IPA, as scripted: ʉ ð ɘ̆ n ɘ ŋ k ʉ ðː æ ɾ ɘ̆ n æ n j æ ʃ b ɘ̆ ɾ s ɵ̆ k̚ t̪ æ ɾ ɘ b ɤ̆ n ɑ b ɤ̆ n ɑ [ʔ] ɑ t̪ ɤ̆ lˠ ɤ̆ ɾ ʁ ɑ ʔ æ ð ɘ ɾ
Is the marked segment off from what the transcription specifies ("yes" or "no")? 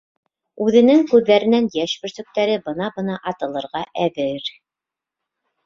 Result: no